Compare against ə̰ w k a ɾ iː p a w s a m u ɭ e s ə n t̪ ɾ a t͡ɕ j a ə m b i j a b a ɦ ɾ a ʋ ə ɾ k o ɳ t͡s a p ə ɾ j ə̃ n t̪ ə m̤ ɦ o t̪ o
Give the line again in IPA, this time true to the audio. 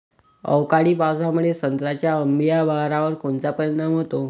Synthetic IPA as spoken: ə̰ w k a ɽ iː p a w s a m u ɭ e s ə n t̪ ɾ a t͡ɕ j a ə m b i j a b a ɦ ɾ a ʋ ə ɾ k o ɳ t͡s a p ə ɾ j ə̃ n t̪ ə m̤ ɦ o t̪ o